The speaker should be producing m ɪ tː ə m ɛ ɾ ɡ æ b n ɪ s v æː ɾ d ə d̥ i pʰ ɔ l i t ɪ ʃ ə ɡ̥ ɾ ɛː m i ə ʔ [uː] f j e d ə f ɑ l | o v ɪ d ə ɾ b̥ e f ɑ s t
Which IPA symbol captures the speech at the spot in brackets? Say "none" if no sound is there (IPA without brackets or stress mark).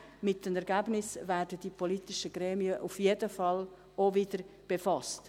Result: u